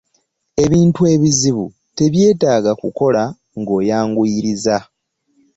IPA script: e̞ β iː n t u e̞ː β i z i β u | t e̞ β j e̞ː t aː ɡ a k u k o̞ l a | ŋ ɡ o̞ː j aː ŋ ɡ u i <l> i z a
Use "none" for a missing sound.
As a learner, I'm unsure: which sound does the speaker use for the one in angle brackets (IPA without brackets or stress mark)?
ɾ